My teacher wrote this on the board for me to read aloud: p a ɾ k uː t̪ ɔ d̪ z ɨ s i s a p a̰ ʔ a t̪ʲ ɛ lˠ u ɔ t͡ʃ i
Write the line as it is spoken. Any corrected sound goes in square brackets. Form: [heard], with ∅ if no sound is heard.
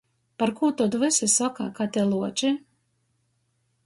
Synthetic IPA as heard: p a ɾ k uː t̪ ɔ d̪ [v] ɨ s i s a [k] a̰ [k] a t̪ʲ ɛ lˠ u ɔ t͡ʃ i